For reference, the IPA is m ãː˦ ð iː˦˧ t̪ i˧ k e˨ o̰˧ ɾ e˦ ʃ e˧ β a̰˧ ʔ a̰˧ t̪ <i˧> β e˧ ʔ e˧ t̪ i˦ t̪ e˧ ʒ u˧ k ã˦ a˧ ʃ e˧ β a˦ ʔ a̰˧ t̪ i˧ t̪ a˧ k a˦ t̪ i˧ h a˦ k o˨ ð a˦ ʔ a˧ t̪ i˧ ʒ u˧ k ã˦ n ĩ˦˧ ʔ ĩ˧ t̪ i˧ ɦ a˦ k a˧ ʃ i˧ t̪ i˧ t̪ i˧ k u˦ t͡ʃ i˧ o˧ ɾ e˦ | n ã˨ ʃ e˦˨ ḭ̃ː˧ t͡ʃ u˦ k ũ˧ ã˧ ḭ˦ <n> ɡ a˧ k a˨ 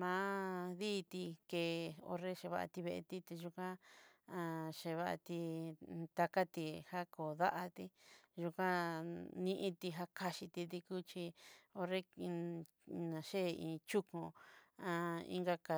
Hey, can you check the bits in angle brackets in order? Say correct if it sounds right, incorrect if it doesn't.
correct, incorrect

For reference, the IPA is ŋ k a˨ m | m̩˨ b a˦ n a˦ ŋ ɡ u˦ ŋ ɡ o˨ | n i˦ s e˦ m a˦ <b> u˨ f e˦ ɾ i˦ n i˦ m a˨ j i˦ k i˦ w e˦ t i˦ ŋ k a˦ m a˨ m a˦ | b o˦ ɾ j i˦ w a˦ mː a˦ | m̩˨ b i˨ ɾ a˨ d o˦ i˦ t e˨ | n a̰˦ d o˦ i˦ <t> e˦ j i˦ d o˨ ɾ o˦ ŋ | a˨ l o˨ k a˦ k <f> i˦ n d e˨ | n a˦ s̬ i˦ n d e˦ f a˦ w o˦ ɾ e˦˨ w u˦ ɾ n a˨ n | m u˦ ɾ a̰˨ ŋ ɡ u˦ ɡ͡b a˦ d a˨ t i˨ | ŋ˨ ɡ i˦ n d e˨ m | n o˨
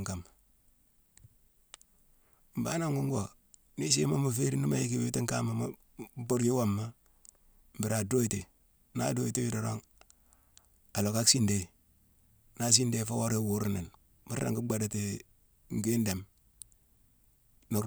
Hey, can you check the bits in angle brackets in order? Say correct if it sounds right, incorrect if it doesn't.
incorrect, correct, incorrect

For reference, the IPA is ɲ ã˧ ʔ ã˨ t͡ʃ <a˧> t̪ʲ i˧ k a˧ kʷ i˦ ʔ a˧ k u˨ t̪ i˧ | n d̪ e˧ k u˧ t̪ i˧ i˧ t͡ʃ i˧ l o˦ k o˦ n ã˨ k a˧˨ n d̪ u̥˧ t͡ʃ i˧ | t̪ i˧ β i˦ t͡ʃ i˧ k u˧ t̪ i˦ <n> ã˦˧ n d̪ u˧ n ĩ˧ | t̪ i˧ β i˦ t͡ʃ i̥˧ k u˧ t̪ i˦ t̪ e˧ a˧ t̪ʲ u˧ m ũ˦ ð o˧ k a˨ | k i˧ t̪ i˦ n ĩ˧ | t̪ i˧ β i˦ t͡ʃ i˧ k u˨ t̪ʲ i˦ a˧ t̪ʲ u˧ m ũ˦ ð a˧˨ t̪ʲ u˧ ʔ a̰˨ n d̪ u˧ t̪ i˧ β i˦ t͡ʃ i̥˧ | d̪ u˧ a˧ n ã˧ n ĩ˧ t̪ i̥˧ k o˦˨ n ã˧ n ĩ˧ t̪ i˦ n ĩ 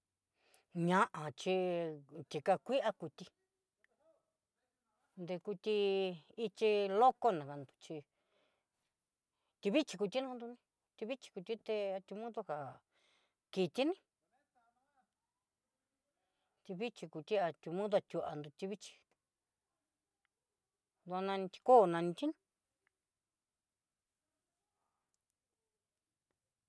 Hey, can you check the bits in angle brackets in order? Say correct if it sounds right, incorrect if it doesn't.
incorrect, correct

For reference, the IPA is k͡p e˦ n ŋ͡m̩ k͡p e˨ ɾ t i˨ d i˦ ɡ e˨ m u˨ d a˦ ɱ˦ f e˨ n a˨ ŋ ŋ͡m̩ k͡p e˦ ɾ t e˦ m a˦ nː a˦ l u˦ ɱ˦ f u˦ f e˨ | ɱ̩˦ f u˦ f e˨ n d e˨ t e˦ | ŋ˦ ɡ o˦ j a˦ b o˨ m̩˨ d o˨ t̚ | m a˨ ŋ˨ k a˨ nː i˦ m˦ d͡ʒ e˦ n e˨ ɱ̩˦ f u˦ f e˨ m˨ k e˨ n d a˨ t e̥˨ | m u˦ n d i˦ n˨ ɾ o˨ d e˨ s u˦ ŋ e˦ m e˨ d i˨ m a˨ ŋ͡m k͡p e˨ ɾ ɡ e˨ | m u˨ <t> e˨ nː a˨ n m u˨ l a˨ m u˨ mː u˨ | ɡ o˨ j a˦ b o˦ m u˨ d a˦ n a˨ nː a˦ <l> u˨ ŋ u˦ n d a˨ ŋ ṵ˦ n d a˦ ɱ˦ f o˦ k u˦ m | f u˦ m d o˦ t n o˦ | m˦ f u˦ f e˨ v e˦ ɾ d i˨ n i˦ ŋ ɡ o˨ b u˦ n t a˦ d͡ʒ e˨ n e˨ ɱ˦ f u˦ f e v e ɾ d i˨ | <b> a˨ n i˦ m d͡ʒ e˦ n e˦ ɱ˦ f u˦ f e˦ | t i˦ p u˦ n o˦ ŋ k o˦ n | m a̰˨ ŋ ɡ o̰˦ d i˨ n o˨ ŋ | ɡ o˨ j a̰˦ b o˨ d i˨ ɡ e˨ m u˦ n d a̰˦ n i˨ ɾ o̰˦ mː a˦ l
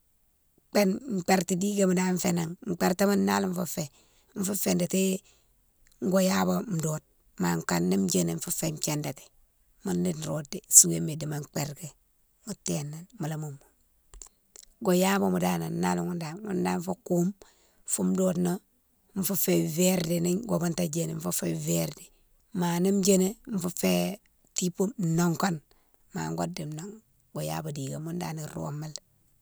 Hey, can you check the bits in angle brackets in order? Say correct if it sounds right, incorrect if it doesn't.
correct, correct, incorrect

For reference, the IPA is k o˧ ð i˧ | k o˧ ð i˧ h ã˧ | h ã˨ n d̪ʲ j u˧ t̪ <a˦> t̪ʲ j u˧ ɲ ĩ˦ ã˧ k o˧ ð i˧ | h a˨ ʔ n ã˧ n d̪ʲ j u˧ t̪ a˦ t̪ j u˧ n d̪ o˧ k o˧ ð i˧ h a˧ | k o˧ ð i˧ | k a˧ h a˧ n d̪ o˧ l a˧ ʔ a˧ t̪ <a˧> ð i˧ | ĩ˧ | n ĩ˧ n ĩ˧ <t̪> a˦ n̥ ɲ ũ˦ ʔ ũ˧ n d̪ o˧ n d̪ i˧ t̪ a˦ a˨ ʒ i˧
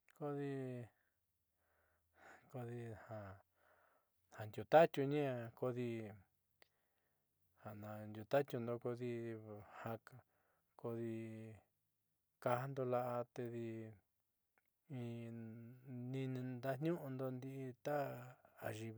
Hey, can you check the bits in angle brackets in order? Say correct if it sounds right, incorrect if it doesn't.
correct, incorrect, incorrect

